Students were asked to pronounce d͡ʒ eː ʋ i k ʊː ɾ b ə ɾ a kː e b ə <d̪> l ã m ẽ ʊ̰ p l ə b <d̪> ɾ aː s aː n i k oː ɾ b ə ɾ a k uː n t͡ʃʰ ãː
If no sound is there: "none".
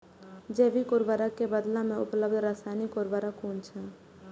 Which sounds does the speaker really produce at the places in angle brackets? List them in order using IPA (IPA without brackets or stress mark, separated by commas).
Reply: d̪, d̪